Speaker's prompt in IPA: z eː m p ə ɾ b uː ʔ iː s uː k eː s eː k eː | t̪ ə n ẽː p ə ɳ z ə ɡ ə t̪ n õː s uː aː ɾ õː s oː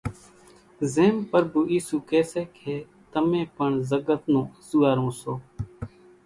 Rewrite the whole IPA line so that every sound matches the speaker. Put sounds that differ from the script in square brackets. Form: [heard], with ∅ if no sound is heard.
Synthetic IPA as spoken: z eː m p ə ɾ b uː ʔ iː s uː k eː s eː [kʰ] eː | t̪ ə [m] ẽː p ə ɳ z ə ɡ ə t̪ n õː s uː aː ɾ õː s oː